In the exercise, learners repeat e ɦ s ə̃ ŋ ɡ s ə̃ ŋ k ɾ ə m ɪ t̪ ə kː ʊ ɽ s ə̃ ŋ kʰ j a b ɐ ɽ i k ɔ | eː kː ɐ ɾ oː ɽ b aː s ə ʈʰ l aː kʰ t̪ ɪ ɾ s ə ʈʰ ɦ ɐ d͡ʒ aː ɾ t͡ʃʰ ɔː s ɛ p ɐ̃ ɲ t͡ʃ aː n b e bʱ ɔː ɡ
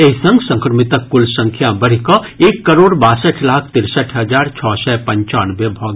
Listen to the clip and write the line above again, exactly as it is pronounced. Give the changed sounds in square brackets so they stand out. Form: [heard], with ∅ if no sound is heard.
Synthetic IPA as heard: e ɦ s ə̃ ŋ ɡ s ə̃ ŋ k ɾ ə m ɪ t̪ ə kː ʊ [l] s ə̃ ŋ kʰ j a b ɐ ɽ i k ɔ | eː kː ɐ ɾ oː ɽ b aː s ə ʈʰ l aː kʰ t̪ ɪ ɾ s ə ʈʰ ɦ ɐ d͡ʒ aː ɾ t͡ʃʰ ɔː s ɛ p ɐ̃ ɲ t͡ʃ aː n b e bʱ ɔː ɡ